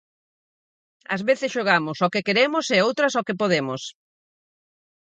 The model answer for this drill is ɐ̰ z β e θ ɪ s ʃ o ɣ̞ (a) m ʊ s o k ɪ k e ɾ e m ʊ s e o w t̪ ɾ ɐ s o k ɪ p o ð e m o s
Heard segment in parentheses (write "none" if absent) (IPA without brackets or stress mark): a